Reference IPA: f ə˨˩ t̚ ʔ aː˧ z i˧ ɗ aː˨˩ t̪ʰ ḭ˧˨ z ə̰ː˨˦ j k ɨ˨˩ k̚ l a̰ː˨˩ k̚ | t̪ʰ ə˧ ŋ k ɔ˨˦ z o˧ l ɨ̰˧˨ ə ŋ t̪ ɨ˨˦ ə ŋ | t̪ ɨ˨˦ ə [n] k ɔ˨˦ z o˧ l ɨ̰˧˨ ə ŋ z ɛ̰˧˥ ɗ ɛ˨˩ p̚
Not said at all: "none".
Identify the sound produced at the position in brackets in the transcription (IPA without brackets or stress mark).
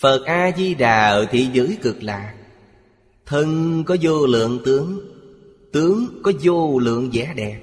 ŋ